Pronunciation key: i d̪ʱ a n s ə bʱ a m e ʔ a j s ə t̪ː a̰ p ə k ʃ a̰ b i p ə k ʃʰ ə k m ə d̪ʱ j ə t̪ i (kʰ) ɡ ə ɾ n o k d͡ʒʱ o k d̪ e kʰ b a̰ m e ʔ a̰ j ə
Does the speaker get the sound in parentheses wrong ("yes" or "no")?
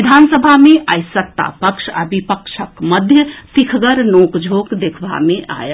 no